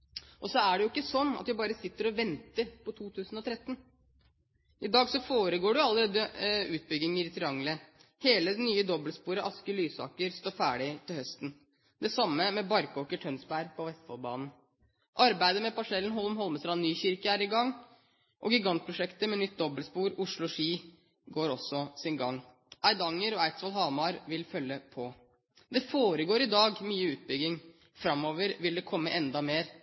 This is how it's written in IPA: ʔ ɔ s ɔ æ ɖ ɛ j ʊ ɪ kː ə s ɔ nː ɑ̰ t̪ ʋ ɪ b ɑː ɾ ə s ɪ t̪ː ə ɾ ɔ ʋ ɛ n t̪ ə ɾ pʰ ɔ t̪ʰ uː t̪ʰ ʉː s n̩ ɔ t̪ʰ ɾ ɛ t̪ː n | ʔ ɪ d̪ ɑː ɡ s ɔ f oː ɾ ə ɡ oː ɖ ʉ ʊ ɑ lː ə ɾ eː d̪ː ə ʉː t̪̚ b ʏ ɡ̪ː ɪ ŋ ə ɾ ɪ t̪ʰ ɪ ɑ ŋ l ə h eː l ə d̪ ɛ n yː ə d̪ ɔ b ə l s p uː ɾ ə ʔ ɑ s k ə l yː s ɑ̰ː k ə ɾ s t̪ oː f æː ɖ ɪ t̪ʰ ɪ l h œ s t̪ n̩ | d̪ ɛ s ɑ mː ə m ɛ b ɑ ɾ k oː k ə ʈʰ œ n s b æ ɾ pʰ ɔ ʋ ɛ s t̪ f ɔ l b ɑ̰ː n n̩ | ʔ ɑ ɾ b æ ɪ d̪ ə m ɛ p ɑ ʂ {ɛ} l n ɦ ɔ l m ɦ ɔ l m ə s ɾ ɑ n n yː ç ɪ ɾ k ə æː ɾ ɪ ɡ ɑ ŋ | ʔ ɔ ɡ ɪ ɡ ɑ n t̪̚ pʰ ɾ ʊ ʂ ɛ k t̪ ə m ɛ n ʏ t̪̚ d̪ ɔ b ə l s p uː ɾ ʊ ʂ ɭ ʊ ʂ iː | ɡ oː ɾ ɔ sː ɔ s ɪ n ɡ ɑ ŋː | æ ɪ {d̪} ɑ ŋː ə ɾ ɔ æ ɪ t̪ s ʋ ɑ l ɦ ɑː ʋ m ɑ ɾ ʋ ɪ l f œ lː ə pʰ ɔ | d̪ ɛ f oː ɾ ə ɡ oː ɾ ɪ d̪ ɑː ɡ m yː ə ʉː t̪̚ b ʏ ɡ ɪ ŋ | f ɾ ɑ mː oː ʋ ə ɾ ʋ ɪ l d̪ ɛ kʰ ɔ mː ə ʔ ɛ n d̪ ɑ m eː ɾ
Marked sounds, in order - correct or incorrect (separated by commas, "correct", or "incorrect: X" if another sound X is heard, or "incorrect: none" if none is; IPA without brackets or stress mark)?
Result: correct, correct